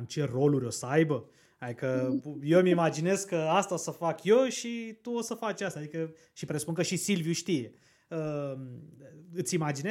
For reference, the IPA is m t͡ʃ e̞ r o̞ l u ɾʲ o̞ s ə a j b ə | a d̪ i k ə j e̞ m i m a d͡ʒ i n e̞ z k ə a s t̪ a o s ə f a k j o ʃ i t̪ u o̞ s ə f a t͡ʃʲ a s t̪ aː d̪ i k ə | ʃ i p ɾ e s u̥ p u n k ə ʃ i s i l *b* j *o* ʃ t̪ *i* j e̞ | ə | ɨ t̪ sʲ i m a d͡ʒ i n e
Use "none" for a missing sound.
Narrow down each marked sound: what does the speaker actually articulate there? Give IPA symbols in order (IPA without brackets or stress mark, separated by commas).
v, u, i